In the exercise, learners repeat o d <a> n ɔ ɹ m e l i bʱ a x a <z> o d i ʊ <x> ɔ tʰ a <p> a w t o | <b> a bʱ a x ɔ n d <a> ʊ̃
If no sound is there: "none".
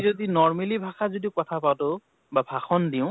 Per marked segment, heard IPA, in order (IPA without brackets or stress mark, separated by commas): i, z, k, p, b, i